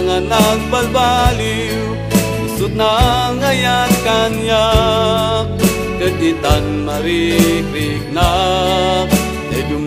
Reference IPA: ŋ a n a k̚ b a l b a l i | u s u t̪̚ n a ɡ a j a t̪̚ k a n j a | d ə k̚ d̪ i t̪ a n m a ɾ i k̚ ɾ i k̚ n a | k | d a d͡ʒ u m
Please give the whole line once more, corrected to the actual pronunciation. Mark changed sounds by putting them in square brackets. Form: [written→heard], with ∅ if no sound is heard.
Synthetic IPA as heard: ŋ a n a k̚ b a l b a l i | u s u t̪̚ n a [ɡ→ŋ] a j a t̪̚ k a n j a | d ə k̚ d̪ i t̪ a n m a ɾ i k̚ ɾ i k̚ n a | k | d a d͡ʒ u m